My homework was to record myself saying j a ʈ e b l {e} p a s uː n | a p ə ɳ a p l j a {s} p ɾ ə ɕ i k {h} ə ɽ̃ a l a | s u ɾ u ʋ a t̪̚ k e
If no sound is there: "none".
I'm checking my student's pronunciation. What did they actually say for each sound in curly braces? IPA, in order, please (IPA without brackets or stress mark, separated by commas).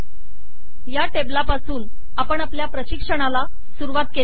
a, none, ʂ